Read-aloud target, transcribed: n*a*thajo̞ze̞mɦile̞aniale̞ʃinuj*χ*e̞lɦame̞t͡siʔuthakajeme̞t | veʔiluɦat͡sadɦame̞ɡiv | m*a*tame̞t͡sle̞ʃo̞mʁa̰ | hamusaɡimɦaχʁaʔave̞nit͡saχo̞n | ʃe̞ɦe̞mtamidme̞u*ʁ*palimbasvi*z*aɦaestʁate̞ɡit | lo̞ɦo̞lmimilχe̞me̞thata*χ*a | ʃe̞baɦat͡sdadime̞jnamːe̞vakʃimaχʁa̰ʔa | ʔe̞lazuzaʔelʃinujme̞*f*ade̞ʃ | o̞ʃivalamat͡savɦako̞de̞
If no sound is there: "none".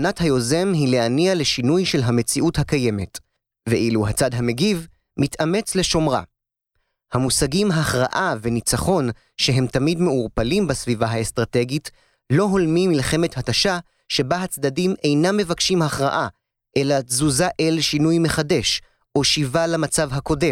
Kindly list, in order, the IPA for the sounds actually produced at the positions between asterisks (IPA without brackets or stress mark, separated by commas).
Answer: a, ʃ, i, ʁ, v, ʃ, χ